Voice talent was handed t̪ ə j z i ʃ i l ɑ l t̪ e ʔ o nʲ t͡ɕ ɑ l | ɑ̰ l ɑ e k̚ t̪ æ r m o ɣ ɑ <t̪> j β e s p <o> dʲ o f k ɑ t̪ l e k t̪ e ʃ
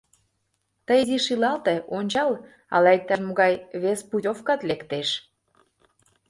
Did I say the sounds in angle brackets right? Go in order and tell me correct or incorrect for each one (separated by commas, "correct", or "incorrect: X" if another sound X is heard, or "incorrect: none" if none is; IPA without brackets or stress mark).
incorrect: none, incorrect: u